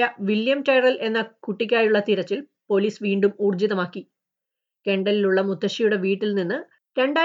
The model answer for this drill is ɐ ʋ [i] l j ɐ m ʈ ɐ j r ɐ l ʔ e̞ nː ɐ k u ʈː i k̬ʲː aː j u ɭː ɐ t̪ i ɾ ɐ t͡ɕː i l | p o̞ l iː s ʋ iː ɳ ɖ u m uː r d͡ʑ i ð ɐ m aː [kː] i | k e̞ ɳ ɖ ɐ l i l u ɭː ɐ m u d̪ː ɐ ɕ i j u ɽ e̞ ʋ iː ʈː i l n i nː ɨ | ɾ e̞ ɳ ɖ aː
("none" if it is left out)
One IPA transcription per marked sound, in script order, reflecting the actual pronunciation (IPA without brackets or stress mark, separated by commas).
i, kː